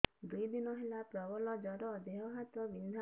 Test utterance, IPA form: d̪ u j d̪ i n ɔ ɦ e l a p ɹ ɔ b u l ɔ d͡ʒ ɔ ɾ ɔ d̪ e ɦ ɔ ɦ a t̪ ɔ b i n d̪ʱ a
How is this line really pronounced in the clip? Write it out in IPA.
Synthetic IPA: d̪ u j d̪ i n ɔ ɦ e l a p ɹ ɔ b ɔ l ɔ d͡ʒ ɔ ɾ ɔ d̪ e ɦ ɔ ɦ a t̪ ɔ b i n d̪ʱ a